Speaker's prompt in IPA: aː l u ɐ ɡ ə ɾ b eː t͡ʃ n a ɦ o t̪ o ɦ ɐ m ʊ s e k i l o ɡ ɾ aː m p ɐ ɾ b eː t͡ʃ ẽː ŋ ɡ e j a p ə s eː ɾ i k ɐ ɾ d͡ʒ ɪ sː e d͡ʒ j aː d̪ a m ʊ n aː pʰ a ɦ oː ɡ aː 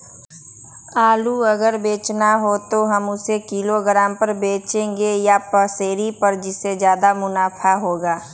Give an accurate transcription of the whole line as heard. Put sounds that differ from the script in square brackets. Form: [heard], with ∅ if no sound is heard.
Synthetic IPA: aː l u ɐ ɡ ə ɾ b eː t͡ʃ n a ɦ o t̪ o ɦ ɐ m ʊ s e k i l o ɡ ɾ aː m p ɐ ɾ b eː t͡ʃ ẽː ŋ ɡ e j a p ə s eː ɾ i [p] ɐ ɾ d͡ʒ ɪ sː e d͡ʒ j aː d̪ a m ʊ n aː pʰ a ɦ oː ɡ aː